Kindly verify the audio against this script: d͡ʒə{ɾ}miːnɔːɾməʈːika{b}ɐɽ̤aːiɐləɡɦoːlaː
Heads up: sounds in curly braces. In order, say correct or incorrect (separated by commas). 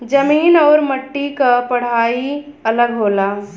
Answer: incorrect, incorrect